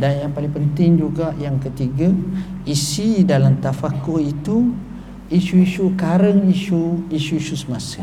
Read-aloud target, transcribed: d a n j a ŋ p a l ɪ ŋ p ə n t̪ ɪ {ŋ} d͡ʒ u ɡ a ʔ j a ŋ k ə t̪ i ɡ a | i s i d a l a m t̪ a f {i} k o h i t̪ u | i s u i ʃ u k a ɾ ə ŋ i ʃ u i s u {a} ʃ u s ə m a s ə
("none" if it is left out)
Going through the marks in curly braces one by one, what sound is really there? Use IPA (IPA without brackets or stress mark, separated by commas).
ŋ, a, i